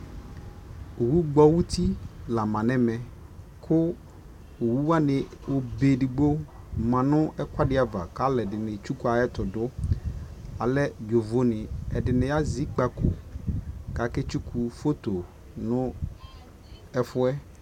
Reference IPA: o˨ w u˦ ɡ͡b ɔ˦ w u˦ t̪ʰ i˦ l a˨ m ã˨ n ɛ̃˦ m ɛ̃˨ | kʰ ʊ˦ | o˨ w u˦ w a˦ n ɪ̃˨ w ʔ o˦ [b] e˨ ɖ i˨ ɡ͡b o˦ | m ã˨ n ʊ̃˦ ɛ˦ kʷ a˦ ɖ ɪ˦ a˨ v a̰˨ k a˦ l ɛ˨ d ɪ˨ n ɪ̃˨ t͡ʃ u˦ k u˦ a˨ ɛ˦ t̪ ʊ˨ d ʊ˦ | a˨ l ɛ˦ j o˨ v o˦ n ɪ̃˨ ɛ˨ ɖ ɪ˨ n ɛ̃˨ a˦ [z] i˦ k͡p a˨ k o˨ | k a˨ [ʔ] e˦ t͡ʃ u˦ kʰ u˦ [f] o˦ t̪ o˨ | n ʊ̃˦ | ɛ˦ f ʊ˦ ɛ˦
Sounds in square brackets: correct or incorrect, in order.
correct, correct, incorrect: k, correct

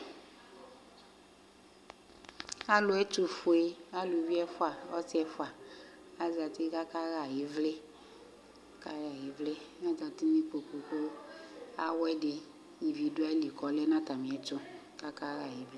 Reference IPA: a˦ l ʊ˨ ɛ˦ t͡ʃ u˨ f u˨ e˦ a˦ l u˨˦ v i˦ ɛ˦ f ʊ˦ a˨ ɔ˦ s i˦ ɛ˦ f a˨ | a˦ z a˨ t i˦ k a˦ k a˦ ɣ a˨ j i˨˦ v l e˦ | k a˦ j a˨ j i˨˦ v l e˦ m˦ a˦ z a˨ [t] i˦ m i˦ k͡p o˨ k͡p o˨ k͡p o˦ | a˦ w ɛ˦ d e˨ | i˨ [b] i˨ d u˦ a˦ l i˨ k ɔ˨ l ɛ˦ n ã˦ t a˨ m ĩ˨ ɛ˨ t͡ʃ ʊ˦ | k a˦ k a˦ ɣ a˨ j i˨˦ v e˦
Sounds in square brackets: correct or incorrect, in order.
correct, incorrect: v

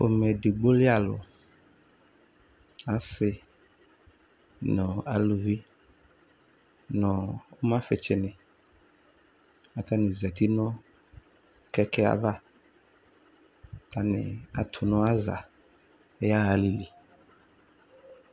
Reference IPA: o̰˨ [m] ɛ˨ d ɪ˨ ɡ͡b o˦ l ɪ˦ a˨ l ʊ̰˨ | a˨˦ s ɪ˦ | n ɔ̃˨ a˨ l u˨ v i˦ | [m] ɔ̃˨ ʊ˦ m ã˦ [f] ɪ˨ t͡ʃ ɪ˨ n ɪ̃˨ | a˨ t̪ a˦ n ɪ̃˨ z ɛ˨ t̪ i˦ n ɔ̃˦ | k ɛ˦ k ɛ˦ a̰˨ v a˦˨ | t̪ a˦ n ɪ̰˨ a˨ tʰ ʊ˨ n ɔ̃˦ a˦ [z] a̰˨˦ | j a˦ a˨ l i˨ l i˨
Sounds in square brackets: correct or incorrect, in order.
correct, incorrect: n, correct, correct

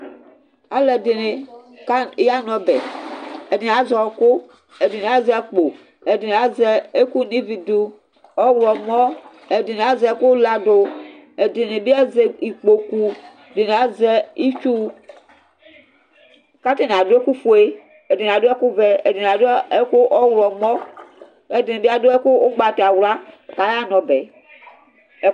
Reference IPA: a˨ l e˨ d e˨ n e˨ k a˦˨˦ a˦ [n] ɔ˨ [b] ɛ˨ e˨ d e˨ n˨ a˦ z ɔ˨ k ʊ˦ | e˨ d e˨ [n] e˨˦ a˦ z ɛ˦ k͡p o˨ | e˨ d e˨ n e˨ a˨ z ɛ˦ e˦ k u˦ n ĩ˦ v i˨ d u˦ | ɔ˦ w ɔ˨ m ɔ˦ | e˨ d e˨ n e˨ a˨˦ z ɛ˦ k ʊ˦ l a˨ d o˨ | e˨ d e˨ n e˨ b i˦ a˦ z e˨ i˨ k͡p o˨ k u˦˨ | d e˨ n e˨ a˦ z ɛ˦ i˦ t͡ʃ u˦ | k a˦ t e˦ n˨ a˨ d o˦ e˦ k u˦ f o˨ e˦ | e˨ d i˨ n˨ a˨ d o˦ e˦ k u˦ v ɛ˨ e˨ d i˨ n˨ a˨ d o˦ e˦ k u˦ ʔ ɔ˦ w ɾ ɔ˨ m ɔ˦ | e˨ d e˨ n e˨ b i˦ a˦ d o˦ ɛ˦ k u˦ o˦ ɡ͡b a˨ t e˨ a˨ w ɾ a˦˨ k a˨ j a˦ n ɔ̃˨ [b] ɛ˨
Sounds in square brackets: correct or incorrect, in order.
correct, correct, correct, correct

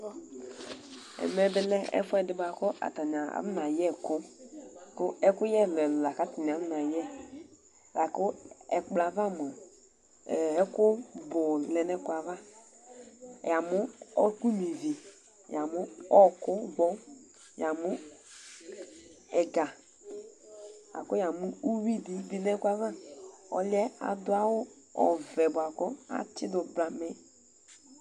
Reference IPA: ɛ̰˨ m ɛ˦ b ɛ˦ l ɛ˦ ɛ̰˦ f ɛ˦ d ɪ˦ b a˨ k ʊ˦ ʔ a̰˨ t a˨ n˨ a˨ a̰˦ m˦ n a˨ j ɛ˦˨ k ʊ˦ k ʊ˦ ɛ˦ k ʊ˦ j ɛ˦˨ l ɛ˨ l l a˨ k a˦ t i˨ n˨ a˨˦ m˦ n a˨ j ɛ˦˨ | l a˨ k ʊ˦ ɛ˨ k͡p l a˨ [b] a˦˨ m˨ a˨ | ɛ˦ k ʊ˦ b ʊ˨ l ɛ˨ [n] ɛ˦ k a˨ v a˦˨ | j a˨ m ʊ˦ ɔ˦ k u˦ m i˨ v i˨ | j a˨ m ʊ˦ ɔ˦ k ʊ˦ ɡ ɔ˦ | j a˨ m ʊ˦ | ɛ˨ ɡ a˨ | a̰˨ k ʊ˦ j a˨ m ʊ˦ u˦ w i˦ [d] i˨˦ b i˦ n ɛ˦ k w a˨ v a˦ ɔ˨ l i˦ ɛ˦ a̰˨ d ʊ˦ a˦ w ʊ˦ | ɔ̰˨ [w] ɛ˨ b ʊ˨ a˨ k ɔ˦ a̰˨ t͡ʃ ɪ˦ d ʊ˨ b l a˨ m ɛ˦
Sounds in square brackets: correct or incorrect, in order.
incorrect: v, correct, correct, incorrect: v

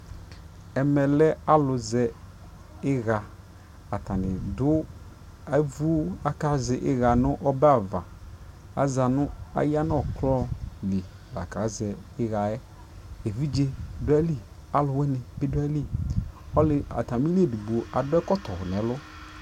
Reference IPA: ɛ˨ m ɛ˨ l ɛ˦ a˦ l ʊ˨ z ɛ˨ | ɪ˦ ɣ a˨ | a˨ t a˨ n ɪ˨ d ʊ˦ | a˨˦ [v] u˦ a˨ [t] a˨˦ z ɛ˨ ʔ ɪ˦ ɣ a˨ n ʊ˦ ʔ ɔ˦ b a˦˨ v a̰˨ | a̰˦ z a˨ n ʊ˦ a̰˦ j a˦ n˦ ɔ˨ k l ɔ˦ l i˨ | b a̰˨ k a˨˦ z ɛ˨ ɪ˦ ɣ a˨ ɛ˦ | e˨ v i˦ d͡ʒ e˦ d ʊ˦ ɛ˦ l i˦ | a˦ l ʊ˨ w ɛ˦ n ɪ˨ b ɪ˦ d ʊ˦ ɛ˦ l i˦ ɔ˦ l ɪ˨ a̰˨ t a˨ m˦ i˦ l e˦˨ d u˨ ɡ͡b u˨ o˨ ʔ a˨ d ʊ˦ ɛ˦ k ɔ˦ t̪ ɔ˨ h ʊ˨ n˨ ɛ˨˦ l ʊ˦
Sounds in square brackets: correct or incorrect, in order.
correct, incorrect: k

